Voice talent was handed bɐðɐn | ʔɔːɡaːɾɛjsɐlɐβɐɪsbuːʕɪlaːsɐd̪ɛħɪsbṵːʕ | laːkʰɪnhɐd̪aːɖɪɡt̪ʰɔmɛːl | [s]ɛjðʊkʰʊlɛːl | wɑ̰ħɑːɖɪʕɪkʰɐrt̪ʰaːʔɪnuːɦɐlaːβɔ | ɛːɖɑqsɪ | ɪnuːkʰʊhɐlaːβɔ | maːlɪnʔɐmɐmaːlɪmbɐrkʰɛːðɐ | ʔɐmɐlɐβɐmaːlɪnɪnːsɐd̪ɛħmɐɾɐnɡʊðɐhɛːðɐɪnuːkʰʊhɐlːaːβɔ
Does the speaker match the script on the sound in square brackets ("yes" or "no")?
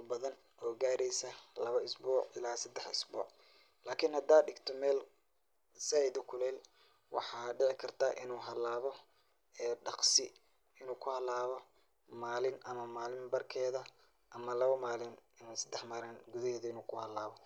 yes